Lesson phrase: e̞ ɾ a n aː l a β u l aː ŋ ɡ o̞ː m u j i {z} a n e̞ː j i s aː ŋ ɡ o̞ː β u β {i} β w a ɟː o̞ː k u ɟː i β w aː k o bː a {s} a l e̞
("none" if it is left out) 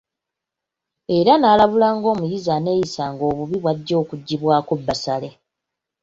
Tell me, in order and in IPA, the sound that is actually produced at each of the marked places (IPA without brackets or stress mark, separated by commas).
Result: z, i, s